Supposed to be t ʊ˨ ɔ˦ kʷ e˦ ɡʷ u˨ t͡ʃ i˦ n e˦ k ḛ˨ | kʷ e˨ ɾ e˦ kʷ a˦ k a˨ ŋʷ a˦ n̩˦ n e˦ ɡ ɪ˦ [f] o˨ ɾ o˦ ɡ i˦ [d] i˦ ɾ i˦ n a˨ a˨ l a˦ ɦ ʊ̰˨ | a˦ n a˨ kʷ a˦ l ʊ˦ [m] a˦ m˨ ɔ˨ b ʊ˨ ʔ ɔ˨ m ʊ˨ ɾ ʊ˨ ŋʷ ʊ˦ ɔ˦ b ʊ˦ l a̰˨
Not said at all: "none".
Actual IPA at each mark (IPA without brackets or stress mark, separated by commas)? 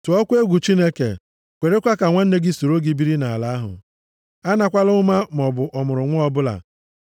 s, b, m